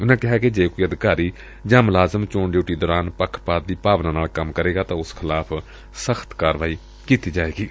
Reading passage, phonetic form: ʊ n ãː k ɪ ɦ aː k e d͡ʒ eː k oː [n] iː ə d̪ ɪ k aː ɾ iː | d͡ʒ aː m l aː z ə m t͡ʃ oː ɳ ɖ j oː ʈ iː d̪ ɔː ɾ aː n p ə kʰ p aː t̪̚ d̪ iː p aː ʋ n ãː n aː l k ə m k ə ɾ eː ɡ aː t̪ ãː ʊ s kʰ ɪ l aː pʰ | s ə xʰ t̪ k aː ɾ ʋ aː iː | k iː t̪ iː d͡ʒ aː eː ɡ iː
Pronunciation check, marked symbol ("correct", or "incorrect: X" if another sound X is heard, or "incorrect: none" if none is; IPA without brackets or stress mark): incorrect: none